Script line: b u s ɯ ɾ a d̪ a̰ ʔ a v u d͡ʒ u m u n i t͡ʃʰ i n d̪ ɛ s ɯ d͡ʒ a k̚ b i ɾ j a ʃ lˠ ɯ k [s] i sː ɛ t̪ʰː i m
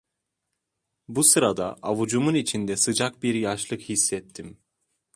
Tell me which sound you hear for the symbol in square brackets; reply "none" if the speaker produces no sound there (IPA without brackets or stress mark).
h